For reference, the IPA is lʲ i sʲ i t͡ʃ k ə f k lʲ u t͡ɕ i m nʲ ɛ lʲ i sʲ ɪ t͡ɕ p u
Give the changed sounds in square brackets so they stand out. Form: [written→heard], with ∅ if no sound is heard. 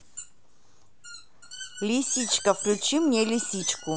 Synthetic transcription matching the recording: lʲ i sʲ i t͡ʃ k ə f k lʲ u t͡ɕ i m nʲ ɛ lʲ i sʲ [ɪ→i] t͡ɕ [p→k] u